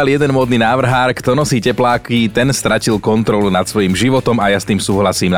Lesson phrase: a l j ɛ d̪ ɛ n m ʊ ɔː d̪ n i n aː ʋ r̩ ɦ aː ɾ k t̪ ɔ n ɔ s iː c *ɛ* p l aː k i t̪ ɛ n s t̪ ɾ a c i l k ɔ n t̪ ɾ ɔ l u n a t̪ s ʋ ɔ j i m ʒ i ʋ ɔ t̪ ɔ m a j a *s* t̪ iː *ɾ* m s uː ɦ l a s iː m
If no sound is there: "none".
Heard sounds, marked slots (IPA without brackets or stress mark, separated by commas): ɛ, s, none